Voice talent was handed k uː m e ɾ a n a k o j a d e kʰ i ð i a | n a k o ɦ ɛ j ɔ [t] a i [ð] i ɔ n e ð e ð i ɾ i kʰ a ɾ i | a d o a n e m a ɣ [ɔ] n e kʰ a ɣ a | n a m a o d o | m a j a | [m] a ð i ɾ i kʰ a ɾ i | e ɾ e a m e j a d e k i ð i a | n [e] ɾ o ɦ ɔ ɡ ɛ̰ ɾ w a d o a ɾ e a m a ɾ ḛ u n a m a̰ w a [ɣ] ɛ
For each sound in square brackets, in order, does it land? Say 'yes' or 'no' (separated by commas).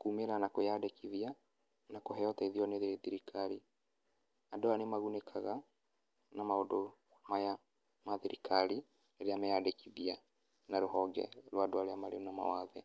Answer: yes, yes, no, yes, no, no